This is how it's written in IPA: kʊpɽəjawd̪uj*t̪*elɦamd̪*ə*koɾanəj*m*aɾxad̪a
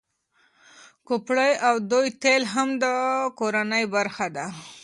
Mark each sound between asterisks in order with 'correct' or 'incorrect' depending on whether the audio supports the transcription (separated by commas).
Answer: correct, correct, incorrect